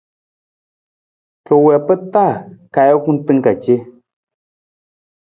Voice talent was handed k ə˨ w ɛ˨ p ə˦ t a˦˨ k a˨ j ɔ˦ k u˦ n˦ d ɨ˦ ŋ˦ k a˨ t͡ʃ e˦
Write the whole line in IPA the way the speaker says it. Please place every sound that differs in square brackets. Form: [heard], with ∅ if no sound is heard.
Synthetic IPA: k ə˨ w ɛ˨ p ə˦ t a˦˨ k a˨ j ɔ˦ k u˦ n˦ [t] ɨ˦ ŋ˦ k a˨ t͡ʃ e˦